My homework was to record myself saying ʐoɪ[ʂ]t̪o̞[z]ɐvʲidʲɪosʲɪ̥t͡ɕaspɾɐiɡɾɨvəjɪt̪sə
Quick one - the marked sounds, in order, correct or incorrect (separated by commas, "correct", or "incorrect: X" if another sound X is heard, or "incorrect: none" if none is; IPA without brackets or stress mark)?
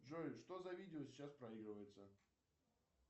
correct, correct